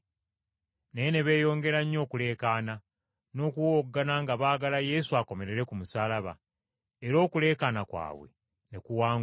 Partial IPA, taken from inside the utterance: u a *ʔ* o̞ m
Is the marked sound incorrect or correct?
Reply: incorrect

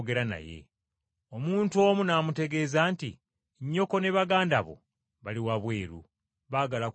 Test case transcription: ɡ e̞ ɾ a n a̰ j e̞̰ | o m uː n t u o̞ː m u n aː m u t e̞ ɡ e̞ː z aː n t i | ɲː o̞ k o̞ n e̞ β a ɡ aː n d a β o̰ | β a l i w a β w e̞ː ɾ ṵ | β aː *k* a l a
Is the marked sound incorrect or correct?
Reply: incorrect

